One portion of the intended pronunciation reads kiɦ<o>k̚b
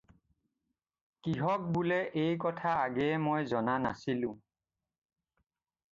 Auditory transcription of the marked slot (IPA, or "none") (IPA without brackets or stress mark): ɔ